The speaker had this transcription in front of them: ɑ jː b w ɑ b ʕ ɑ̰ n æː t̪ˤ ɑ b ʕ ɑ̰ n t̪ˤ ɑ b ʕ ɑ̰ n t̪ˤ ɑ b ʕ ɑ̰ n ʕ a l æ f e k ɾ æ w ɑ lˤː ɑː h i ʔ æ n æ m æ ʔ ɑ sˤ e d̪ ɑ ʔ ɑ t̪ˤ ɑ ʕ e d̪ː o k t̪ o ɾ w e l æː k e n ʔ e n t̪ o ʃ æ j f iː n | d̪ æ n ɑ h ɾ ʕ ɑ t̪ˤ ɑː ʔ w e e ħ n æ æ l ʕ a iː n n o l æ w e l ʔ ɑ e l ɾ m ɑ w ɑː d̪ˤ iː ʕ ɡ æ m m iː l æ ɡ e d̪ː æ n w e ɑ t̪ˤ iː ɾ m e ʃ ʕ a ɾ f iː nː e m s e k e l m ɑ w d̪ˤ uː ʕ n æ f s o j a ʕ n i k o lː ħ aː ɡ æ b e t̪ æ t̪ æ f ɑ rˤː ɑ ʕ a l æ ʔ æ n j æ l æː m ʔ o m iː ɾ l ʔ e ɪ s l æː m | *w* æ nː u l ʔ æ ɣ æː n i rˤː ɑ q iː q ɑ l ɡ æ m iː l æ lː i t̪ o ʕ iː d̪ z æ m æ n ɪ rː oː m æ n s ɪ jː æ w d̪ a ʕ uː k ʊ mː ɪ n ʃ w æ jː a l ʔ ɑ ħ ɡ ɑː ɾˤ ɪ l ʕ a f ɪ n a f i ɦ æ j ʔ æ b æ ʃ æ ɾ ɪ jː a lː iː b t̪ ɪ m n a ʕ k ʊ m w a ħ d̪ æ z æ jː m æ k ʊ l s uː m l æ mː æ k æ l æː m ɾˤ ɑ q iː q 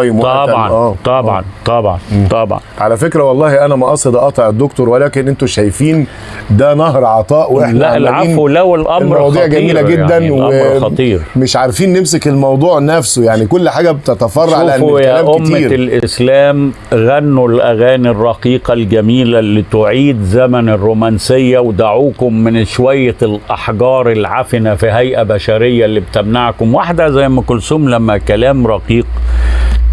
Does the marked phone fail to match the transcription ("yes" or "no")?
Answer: yes